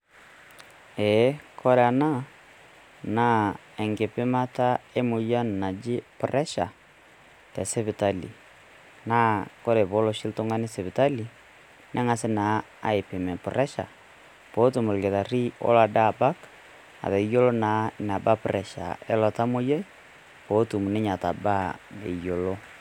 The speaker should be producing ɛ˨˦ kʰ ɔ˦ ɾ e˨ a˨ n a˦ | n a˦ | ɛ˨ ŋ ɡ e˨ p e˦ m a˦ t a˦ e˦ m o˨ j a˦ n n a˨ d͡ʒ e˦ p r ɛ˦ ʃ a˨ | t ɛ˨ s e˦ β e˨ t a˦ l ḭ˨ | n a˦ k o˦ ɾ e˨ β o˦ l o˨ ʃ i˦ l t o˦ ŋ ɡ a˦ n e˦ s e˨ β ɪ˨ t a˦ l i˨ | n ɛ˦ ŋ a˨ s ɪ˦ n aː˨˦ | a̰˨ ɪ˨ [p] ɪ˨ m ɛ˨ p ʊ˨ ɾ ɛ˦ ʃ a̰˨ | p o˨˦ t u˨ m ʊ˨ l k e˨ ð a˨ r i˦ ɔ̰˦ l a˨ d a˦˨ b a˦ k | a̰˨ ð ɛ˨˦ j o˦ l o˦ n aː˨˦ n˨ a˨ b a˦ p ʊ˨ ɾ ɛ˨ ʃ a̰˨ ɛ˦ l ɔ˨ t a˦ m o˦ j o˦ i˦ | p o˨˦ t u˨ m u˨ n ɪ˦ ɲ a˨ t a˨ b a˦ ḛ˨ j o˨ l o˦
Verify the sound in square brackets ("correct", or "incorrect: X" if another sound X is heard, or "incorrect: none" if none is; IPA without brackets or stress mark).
correct